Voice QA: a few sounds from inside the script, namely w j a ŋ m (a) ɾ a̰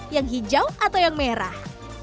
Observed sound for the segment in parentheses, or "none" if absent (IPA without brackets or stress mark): e